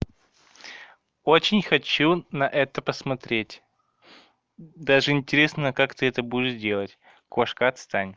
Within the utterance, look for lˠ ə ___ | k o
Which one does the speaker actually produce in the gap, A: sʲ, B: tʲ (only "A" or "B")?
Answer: B